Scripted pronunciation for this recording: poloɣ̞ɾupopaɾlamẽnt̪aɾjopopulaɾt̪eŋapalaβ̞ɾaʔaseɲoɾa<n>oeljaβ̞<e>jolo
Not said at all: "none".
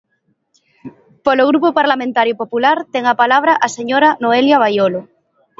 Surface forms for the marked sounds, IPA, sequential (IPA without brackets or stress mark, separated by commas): n, a